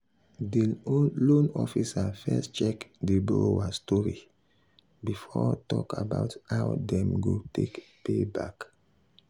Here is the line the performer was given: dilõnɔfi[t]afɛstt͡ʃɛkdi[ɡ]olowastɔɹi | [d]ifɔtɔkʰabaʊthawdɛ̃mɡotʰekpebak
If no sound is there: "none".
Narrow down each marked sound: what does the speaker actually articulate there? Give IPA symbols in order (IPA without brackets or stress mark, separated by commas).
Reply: s, b, b